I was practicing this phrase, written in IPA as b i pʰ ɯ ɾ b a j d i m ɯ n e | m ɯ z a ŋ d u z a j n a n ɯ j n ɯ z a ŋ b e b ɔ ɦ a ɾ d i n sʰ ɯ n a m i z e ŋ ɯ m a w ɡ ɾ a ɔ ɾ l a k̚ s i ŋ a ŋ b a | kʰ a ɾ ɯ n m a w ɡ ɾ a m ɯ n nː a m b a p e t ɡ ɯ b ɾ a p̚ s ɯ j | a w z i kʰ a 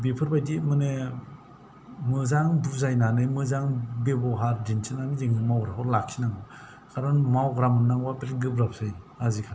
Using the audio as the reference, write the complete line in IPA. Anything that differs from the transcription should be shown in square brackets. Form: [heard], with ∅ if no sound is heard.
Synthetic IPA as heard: b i pʰ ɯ ɾ b a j d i m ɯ n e | m ɯ z a ŋ d u z a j n a n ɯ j [m] ɯ z a ŋ b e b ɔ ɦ a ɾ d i n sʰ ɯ n a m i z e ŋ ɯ m a w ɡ ɾ a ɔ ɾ l a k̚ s i [n] a ŋ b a | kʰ a ɾ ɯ n m a w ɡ ɾ a m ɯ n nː a [ŋ] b a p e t ɡ ɯ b ɾ a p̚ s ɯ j | a [∅] z i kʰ a

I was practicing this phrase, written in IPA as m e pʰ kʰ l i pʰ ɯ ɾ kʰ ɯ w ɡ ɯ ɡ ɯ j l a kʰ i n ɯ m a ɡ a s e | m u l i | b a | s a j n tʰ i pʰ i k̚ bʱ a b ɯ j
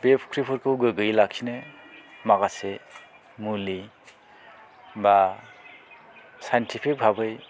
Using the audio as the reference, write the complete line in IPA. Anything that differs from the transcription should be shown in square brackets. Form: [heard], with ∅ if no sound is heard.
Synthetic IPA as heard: [b] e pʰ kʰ [ɾ] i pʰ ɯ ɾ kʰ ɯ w ɡ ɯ ɡ ɯ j l a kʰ i n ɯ m a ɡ a s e | m u l i | b a | s a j n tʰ i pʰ i k̚ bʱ a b ɯ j

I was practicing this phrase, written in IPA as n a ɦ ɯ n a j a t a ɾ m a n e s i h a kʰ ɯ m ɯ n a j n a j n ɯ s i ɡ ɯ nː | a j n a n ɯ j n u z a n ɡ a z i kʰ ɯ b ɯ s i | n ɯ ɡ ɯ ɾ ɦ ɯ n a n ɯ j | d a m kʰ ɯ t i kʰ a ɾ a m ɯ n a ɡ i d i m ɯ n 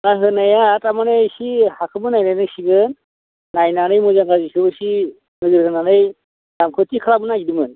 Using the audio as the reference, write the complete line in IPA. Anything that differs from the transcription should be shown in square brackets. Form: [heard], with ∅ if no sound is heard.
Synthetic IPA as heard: n a ɦ ɯ n a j a t a [∅] m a n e s i h a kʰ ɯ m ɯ n a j n a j n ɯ s i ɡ ɯ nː | a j n a n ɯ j [m] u z a [ŋ] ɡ a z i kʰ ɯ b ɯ s i | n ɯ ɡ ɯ ɾ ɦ ɯ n a n ɯ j | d a m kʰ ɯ t i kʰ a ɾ a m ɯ n a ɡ i d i m ɯ n

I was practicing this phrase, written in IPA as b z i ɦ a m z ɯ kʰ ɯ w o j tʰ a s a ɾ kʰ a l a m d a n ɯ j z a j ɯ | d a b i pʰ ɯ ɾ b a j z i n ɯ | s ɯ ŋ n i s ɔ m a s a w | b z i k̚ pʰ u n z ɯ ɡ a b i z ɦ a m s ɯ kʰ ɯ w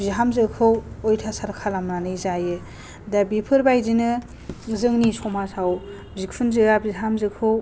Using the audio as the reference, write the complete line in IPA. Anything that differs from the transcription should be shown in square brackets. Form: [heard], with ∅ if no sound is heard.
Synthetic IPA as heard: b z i ɦ a m z ɯ kʰ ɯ w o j tʰ a s a ɾ kʰ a l a m [n] a n ɯ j z a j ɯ | d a b i pʰ ɯ ɾ b a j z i n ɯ | [z] ɯ ŋ n i s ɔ m a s a w | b z i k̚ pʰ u n z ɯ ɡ a b i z ɦ a m [z] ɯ kʰ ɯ w

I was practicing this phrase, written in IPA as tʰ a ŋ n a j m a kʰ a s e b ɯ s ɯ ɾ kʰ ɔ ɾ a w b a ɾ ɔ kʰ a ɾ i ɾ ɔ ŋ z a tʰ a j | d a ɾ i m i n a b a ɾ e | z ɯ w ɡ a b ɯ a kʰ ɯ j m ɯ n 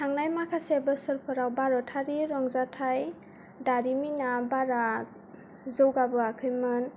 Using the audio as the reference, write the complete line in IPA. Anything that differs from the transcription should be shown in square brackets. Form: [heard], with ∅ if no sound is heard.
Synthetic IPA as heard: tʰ a ŋ n a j m a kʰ a s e b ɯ s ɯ ɾ [pʰ] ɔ ɾ a w b a ɾ ɔ [tʰ] a ɾ i ɾ ɔ ŋ z a tʰ a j | d a ɾ i m i n a b a ɾ [a] | z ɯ w ɡ a b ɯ a kʰ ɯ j m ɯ n

